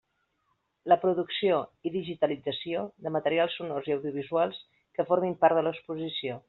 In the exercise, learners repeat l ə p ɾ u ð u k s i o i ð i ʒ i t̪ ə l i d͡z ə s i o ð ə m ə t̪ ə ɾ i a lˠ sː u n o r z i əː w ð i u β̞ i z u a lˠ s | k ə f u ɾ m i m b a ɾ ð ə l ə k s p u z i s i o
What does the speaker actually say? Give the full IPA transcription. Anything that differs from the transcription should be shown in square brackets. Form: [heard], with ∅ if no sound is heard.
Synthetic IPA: l ə p ɾ u ð u k s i o i ð i ʒ i t̪ ə l i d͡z ə s i o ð ə m ə t̪ ə ɾ i a lˠ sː u n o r z i [ə] w ð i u β̞ i z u a lˠ s | k ə f [o] ɾ m i m [p] a ɾ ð ə l ə k s p u z i s i o